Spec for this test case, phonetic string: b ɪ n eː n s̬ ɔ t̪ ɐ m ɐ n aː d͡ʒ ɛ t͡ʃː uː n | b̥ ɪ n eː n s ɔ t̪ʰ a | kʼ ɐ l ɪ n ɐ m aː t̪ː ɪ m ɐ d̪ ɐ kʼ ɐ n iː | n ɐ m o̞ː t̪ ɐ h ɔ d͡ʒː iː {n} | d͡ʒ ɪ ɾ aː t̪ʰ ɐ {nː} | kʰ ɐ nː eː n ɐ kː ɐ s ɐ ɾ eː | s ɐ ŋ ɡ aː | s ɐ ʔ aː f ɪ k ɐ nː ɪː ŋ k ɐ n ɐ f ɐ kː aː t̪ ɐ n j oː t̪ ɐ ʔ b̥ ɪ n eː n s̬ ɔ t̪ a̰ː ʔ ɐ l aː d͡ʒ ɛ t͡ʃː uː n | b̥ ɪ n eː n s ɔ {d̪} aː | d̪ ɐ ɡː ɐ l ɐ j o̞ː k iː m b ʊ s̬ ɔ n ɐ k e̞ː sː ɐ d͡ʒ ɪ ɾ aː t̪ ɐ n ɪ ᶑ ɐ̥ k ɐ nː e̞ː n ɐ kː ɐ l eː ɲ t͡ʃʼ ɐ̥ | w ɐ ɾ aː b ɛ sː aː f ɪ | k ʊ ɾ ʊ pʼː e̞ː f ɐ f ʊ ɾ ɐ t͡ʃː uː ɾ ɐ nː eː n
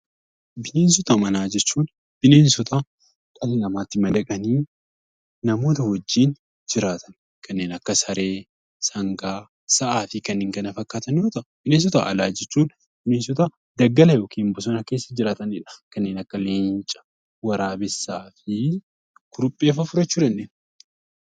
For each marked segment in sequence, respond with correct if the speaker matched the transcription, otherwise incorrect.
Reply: correct, incorrect, incorrect

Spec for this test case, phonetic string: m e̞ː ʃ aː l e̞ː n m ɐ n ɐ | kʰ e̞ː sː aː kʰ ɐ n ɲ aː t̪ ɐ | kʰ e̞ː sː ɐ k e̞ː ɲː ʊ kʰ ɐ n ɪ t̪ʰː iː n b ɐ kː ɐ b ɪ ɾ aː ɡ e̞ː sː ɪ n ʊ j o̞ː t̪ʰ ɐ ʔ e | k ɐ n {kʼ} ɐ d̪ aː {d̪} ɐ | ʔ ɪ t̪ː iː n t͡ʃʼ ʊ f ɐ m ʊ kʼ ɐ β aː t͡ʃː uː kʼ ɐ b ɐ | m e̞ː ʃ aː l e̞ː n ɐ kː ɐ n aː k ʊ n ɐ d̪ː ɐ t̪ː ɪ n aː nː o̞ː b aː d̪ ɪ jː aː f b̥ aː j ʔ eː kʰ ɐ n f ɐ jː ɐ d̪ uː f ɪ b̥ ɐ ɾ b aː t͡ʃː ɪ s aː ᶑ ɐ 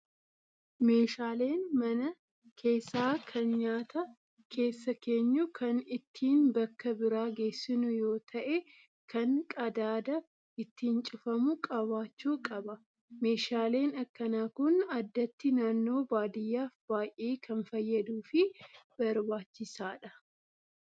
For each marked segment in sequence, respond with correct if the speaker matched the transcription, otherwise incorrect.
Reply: correct, correct

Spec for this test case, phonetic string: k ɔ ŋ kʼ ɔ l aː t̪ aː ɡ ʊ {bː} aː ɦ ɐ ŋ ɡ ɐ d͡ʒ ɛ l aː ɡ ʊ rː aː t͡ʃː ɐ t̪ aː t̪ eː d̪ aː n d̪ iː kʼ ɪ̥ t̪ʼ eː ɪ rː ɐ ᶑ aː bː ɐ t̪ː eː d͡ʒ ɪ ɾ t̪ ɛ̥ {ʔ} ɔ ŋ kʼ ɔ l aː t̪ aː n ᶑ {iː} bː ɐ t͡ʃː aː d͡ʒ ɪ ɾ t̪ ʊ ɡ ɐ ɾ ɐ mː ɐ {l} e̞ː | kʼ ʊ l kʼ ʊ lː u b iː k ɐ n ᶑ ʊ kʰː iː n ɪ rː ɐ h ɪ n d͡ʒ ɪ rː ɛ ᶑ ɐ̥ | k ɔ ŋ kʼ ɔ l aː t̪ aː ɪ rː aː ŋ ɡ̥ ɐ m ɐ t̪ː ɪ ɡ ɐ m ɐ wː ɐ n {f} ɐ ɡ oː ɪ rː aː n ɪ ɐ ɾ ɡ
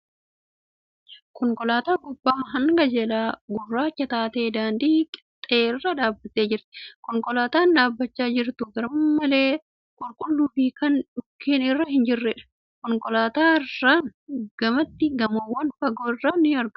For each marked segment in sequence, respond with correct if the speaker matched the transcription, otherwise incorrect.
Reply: correct, incorrect, incorrect, correct, correct

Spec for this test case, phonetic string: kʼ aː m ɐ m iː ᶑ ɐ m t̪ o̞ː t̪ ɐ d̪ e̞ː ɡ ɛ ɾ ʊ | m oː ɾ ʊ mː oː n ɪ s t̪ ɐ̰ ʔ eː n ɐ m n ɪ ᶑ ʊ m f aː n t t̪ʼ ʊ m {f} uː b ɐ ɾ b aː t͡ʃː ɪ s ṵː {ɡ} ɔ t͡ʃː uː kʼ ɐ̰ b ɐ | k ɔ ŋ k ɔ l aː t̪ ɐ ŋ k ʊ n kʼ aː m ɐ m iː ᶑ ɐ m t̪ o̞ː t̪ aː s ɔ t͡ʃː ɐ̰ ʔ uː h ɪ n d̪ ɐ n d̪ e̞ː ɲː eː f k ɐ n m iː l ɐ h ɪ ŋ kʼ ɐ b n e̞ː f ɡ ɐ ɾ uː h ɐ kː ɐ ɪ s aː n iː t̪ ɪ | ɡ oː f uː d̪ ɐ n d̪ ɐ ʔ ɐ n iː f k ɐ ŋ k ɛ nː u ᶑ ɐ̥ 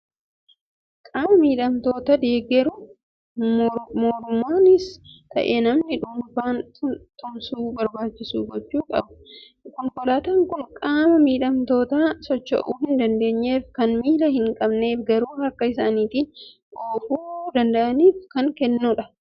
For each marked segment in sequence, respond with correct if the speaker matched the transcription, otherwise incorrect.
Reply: incorrect, correct

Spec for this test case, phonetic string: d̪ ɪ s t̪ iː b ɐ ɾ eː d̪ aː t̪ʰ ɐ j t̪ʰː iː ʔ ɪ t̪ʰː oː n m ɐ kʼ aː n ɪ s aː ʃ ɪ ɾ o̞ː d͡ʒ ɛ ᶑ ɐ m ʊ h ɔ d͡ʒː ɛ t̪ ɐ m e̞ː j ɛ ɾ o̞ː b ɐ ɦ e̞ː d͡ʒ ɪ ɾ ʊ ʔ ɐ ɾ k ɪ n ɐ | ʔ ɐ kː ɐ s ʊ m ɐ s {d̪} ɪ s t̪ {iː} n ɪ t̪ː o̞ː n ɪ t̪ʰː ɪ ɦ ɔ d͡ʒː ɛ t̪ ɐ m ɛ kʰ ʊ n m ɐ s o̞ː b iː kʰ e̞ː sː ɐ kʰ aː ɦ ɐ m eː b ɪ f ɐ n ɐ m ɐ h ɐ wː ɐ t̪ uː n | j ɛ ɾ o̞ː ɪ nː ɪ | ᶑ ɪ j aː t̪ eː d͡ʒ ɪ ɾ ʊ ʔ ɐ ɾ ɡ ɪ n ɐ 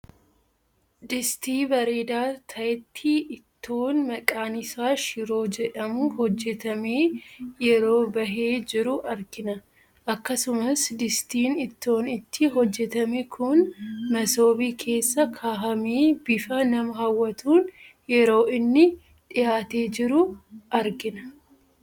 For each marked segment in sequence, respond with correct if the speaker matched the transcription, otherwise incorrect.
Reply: correct, correct

